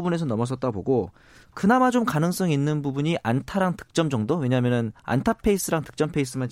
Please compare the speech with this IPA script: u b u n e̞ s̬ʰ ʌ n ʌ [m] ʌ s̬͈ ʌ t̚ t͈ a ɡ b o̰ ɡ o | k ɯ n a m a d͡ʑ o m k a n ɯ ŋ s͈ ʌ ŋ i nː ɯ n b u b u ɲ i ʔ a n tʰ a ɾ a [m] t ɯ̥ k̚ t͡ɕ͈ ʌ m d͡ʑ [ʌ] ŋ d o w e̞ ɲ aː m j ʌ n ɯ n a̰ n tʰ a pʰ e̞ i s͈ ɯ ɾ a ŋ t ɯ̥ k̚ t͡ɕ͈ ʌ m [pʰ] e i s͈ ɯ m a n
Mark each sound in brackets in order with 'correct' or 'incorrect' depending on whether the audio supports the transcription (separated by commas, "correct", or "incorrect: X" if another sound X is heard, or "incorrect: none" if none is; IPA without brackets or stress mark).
correct, incorrect: ŋ, correct, correct